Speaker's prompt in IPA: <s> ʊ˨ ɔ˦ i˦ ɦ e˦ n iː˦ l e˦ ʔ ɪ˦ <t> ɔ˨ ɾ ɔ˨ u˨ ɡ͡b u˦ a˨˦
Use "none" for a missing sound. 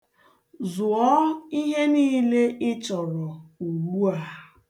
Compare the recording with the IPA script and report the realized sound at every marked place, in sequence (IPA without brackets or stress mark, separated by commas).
z, t͡ʃ